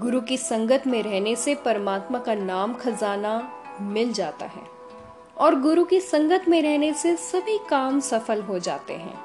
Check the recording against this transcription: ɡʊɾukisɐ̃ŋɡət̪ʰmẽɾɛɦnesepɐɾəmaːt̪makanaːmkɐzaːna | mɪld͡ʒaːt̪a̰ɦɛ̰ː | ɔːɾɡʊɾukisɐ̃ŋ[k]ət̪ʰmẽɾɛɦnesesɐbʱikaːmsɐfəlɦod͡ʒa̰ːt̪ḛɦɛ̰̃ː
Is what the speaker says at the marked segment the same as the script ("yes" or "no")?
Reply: no